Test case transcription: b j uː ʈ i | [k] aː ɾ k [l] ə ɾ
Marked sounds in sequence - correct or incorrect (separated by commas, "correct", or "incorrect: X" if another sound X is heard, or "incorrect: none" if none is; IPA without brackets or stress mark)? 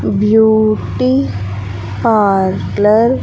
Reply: incorrect: p, correct